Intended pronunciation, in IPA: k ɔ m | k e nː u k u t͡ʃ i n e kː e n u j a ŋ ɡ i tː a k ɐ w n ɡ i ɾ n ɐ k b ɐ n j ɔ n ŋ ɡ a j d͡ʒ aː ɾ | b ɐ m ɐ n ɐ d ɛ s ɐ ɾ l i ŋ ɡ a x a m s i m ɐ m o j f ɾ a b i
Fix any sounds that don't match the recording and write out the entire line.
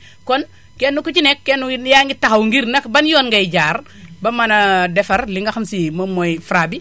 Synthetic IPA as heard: k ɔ n | k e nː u k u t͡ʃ i n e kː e n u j a ŋ ɡ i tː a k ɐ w ŋ ɡ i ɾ n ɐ k b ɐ n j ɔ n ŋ ɡ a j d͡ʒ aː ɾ | b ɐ m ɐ n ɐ d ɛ f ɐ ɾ l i ŋ ɡ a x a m s i m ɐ m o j f ɾ a b i